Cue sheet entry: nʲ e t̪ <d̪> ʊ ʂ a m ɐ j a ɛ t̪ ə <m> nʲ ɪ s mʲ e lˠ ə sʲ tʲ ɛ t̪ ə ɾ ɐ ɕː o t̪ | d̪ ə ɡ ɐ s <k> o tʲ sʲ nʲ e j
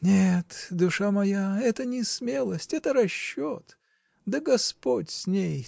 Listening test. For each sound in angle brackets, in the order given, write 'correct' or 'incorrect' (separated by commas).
correct, incorrect, incorrect